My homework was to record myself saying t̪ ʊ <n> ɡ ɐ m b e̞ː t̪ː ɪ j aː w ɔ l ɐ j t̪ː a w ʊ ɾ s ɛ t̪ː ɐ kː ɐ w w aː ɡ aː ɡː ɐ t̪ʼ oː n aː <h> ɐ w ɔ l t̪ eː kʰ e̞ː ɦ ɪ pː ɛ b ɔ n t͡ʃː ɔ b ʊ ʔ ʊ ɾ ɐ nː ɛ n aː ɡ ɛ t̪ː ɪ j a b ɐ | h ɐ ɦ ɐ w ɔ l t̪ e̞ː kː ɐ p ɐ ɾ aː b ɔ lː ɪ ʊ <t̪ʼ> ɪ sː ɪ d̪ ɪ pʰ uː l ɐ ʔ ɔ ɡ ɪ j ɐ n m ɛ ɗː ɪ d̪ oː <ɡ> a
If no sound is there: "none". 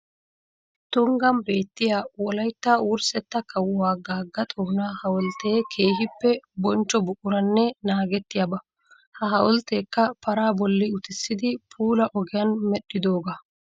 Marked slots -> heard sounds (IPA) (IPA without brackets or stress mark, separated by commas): ŋ, h, t̪, ɡ